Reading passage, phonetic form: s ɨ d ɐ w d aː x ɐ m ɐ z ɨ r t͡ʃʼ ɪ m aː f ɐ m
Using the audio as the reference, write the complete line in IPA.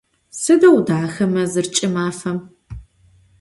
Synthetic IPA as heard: s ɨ d ɐ w d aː x ɐ m ɐ z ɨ r t͡ʃʼ ɪ m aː f ɐ m